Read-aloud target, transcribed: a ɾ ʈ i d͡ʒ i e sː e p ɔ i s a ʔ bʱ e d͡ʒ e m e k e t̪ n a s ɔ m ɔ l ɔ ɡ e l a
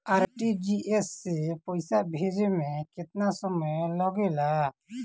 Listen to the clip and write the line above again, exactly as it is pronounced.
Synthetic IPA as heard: a ɾ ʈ i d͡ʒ i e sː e p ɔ j s a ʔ bʱ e d͡ʒ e m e k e t̪ n a s ɔ m ɔ l ɔ ɡ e l a